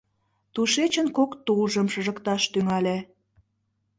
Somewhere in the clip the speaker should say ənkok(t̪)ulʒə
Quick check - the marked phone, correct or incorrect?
correct